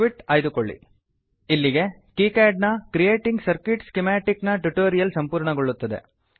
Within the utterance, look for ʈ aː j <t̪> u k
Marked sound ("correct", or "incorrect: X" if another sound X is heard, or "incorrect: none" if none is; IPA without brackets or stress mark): incorrect: d̪